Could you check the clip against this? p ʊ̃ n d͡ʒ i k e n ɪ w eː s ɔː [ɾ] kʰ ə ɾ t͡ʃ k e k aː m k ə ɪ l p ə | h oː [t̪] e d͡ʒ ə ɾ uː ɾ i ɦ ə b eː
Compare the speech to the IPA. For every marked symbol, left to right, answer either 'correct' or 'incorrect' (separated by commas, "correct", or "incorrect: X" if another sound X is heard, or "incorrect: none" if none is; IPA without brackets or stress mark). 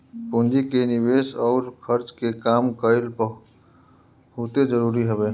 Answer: correct, correct